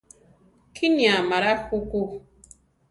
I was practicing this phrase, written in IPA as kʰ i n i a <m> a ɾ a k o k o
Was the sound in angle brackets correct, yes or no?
yes